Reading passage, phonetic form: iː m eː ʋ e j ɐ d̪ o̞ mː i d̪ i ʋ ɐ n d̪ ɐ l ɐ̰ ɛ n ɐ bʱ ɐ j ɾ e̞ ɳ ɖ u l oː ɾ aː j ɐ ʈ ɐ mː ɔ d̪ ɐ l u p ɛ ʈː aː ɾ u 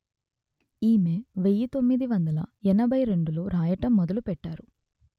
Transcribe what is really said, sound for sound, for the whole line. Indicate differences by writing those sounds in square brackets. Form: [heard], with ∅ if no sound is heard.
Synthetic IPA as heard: iː m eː ʋ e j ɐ [t̪] o̞ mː i d̪ i ʋ ɐ n d̪ ɐ l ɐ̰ ɛ n ɐ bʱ ɐ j ɾ e̞ ɳ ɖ u l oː ɾ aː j ɐ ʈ ɐ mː ɔ d̪ ɐ l u p ɛ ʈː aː ɾ u